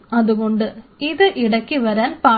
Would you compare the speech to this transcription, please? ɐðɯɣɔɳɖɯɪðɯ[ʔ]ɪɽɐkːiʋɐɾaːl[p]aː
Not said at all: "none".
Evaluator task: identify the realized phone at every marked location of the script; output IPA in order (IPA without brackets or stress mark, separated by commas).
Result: ʔ, p